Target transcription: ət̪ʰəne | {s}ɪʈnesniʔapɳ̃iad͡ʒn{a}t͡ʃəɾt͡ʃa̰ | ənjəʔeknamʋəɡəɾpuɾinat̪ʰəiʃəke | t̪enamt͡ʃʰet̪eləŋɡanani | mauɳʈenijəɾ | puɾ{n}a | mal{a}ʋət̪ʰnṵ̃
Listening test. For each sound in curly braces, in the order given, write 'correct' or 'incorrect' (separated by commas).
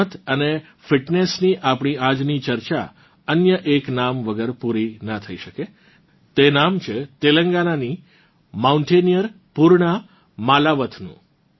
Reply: incorrect, incorrect, incorrect, correct